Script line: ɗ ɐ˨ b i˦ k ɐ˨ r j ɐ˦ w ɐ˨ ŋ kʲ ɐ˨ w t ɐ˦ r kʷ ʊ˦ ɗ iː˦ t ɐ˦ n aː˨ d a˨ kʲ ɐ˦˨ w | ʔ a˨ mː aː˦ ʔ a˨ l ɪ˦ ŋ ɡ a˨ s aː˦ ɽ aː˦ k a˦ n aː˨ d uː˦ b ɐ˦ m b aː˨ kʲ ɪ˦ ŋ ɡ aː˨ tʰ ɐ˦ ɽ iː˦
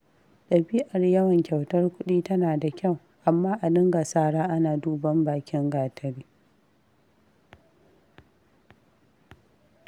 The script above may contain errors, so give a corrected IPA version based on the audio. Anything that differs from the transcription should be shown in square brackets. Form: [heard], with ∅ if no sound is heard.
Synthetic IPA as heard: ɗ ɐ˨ b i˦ [ʔ] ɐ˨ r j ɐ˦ w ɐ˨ ŋ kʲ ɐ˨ w t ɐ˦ r kʷ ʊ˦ ɗ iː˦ t ɐ˦ n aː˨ d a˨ kʲ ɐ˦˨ w | ʔ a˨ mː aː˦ ʔ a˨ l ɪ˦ ŋ ɡ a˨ s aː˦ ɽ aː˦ [ʔ] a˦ n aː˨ d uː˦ b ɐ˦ m b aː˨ kʲ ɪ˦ ŋ ɡ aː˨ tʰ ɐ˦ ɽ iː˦

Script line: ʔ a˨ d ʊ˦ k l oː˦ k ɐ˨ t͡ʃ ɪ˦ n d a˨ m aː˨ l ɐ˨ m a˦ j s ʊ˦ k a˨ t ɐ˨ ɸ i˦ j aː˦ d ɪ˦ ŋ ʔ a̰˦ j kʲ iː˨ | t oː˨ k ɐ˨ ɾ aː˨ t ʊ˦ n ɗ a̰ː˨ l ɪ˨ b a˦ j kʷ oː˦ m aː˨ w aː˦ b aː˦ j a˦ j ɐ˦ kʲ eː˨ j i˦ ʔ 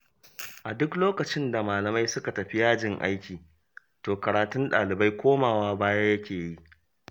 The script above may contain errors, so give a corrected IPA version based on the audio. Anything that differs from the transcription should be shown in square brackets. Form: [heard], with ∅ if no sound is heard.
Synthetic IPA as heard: ʔ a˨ d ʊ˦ k l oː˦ k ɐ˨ t͡ʃ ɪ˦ n d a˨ m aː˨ l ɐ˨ m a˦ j s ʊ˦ k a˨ t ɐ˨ ɸ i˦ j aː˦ [d͡ʒ] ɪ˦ ŋ ʔ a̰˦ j kʲ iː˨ | t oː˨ k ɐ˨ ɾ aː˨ t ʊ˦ n ɗ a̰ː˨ l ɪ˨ b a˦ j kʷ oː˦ m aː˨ w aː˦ b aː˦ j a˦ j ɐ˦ kʲ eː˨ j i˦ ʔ

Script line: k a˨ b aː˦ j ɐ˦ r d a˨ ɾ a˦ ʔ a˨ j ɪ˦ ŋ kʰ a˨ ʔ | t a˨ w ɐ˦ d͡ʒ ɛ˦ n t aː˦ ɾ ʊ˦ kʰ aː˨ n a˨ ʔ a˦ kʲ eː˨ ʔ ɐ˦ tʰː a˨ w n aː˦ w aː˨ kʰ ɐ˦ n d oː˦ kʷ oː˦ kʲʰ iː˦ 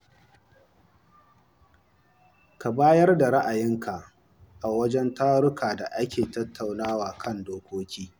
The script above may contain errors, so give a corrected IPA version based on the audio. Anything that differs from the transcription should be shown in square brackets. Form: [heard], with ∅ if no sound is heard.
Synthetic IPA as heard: k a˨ b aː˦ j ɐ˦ r d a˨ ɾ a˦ ʔ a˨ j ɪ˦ ŋ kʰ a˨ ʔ | [ʔ] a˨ w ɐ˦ d͡ʒ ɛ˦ n t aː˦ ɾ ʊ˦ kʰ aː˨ [d] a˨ ʔ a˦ kʲ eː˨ [t] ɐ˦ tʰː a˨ w n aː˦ w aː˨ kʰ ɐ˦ n d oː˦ kʷ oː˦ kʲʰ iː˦

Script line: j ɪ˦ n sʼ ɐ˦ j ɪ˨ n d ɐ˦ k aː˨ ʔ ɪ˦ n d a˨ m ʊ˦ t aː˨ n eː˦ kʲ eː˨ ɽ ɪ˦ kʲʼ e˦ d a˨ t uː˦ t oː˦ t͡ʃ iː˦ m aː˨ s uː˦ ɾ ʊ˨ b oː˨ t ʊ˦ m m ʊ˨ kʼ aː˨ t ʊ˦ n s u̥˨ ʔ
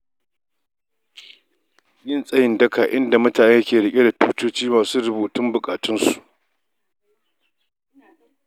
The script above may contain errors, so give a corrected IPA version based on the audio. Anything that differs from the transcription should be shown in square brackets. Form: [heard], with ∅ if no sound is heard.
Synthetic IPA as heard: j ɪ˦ n sʼ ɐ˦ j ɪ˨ n d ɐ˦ k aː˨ ʔ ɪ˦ n d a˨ m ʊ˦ t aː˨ n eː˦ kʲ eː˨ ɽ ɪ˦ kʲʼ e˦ d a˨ t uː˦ t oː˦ t͡ʃ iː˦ m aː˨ s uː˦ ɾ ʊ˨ b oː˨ t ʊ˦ m [b] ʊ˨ kʼ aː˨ t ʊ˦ n s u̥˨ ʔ

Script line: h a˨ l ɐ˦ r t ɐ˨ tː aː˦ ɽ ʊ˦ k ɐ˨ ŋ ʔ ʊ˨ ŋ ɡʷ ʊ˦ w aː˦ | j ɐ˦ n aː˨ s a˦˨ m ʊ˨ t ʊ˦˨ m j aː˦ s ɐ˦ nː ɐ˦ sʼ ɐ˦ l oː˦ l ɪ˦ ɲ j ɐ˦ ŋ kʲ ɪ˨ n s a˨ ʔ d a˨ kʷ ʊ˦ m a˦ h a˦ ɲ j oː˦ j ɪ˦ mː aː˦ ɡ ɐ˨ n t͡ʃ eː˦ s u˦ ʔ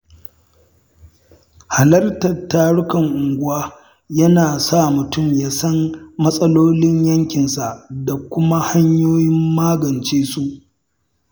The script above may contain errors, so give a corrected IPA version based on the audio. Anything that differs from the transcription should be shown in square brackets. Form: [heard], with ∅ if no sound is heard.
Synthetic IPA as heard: h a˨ l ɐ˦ r t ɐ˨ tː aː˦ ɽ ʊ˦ k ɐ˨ ŋ ʔ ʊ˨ ŋ ɡʷ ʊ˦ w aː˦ | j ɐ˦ n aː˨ s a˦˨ m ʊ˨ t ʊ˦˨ m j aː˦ s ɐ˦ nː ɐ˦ sʼ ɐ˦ l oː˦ l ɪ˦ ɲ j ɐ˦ ŋ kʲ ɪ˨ n s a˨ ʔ d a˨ kʷ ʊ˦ m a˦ h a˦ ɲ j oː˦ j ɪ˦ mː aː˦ ɡ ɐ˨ n t͡ʃ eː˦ s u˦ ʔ

